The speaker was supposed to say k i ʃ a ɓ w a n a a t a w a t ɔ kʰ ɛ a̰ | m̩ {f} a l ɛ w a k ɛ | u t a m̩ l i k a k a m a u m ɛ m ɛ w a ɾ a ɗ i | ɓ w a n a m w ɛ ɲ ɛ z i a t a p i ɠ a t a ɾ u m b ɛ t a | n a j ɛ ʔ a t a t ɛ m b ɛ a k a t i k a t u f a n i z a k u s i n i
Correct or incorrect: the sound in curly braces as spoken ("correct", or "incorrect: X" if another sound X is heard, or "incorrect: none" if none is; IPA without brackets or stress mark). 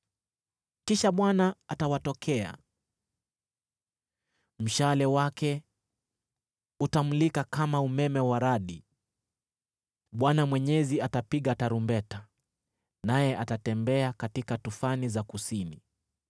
incorrect: ʃ